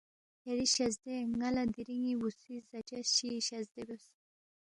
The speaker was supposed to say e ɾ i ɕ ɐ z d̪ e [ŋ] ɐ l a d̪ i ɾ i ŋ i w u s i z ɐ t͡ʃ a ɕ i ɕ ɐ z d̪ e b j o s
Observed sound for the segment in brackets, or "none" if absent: ŋ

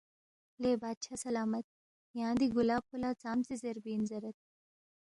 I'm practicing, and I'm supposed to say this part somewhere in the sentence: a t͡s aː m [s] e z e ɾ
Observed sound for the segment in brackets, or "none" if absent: t͡s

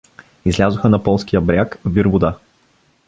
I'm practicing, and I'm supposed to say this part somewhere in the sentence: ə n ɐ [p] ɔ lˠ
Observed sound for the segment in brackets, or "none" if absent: p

